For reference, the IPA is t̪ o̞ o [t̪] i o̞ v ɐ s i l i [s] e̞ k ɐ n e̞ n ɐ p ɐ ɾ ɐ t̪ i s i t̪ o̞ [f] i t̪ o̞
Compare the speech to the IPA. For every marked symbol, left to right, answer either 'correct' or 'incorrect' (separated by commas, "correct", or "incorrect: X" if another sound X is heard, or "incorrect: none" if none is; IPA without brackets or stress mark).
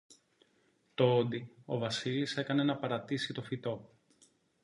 incorrect: d̪, correct, correct